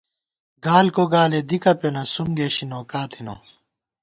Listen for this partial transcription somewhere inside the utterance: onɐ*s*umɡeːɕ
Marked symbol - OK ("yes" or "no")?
yes